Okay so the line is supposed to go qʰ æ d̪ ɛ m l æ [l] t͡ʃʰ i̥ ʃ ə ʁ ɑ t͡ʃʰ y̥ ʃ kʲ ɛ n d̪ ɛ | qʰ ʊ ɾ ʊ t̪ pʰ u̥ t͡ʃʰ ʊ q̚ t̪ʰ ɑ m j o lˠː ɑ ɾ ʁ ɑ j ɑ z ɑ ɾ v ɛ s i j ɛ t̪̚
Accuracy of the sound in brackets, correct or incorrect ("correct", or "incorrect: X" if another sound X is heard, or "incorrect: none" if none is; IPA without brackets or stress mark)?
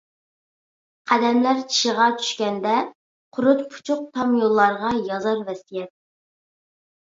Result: incorrect: ɾ